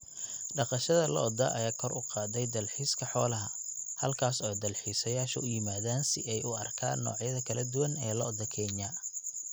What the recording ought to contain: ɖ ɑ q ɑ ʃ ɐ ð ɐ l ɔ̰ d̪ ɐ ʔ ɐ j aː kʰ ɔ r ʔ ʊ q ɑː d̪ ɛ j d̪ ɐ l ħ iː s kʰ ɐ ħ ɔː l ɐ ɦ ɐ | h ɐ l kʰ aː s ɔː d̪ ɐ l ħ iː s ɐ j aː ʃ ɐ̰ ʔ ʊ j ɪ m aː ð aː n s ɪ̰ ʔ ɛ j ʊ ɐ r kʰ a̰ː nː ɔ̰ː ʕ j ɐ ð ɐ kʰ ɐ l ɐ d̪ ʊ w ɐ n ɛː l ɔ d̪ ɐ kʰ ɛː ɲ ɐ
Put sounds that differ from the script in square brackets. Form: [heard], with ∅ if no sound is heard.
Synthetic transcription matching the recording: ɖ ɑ q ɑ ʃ ɐ ð ɐ l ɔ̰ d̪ ɐ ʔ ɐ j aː kʰ ɔ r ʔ ʊ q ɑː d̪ ɛ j d̪ ɐ l ħ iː s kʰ ɐ ħ ɔː l ɐ ɦ ɐ | h ɐ l kʰ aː s ɔː d̪ ɐ l ħ iː s ɐ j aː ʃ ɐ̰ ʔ ʊ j ɪ m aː ð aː n s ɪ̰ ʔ ɛ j ʊ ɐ r kʰ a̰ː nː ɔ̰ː ʕ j ɐ ð ɐ kʰ ɐ l ɐ d̪ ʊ w ɐ n ɛː l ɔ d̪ ɐ kʰ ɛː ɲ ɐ